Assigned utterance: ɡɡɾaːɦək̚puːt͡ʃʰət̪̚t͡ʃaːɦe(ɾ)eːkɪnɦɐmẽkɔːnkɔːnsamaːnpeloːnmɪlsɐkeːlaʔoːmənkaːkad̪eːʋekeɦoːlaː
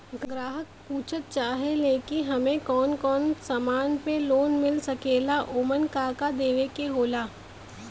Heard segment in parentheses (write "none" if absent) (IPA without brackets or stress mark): l